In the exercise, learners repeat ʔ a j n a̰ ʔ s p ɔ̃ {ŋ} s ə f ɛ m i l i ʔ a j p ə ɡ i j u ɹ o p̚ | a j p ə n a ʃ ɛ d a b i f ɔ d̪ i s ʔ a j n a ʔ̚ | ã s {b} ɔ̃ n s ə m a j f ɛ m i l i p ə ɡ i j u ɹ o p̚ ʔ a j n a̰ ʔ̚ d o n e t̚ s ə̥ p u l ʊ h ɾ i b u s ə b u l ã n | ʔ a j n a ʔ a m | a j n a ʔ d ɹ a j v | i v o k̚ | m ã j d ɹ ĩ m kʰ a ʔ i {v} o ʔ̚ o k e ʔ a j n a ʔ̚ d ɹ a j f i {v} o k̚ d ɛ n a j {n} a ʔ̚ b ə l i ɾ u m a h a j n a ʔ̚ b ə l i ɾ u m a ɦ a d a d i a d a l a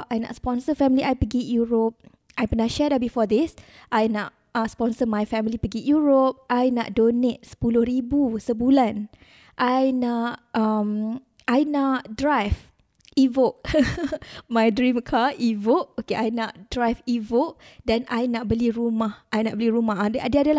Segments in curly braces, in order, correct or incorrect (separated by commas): incorrect, incorrect, correct, correct, correct